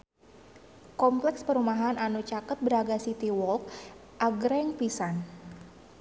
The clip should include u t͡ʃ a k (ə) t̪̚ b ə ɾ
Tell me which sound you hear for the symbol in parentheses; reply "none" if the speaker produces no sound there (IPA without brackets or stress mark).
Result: ə